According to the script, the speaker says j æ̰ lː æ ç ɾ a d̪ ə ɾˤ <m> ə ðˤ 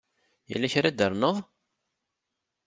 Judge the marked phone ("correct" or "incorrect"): incorrect